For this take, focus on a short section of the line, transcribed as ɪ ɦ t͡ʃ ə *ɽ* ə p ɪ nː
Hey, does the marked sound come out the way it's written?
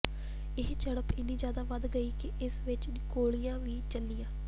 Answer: yes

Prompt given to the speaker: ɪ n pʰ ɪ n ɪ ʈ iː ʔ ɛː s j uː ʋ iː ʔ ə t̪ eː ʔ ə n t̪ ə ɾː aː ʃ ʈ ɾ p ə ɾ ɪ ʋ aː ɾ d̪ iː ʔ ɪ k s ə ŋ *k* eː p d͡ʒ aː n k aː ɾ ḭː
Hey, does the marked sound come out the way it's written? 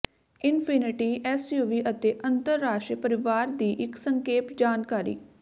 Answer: yes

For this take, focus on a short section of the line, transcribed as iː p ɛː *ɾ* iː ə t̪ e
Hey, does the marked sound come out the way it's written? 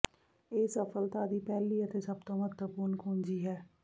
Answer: no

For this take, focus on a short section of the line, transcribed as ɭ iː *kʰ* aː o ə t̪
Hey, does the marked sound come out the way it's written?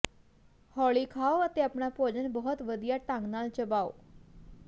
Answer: yes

